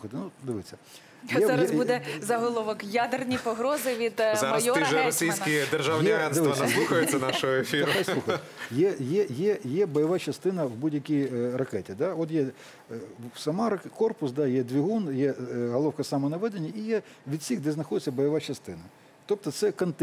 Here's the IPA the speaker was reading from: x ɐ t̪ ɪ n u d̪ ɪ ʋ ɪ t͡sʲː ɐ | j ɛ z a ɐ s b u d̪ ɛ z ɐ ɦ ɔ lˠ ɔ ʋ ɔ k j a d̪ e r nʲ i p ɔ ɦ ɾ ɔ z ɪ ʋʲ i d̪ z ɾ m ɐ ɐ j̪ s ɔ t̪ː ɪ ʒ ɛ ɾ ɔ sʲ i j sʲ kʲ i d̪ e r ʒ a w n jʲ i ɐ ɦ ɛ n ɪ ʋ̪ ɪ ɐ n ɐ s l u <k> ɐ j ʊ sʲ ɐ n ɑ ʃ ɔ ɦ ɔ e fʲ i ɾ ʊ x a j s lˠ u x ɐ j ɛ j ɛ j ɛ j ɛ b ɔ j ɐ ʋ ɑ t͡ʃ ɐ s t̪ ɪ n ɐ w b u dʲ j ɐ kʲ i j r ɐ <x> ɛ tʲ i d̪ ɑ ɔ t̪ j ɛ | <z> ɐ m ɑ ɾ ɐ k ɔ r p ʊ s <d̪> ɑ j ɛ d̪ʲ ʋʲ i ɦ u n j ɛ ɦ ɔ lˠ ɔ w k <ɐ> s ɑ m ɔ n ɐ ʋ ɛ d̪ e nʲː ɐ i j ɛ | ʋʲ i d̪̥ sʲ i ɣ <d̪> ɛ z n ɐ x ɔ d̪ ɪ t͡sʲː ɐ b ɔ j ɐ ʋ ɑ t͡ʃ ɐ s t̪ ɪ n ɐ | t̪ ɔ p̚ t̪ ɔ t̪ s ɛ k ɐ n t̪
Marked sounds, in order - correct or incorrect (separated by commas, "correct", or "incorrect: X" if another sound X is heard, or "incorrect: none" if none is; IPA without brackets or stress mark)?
incorrect: x, incorrect: k, incorrect: s, correct, correct, correct